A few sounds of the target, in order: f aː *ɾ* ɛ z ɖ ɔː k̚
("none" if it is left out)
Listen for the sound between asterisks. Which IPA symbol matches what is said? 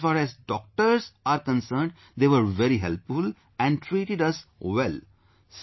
ɾ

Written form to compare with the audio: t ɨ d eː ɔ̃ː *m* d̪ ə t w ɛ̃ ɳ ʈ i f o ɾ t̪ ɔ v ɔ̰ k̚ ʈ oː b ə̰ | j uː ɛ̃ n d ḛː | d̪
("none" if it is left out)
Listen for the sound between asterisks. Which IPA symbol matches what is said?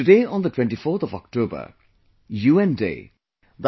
n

